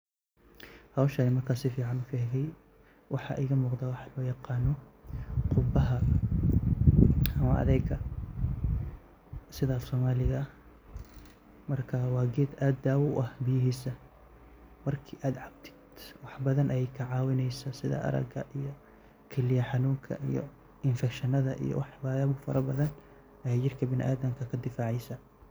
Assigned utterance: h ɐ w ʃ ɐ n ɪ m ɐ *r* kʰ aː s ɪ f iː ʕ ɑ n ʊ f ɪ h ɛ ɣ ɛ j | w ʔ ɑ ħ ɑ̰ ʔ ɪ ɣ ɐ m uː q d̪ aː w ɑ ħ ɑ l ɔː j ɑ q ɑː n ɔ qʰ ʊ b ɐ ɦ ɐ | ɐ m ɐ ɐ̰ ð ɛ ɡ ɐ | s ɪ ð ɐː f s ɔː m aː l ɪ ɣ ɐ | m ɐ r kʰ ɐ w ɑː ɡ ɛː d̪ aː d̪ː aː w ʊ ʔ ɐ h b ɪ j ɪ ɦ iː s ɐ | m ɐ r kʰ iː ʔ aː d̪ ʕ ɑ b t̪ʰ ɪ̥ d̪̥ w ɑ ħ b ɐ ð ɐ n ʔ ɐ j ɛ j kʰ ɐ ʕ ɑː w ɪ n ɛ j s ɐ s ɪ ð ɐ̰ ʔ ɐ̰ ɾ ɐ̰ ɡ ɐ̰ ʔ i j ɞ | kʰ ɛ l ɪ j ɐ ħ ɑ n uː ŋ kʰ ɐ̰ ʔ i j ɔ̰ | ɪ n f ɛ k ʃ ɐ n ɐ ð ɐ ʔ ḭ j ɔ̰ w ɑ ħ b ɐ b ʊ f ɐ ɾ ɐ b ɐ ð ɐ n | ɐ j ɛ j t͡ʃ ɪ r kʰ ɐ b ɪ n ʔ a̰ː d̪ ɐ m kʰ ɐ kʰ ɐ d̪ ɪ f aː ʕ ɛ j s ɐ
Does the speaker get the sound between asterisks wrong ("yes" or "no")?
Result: no